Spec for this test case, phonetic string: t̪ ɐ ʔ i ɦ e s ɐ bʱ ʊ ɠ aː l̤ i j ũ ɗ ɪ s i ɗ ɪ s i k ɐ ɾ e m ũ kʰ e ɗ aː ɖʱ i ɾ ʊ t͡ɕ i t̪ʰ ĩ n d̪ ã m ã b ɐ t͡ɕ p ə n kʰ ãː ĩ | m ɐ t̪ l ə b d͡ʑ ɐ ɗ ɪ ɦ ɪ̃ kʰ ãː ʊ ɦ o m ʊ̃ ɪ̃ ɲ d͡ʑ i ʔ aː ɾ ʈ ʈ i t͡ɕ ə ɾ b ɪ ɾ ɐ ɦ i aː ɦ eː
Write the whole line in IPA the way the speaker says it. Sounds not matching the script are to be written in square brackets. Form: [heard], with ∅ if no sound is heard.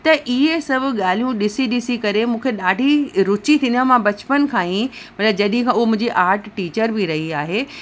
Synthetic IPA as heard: t̪ ɐ ʔ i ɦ e s ɐ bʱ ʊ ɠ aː l̤ i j ũ ɗ ɪ s i ɗ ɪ s i k ɐ ɾ e m [ũː] kʰ e ɗ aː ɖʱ i ɾ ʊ t͡ɕ i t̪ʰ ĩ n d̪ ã m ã b ɐ t͡ɕ p ə n kʰ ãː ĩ | m ɐ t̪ l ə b d͡ʑ ɐ ɗ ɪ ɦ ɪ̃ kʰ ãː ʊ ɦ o m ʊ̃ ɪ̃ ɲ d͡ʑ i ʔ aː ɾ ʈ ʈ [iː] t͡ɕ ə ɾ b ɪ ɾ ɐ ɦ i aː ɦ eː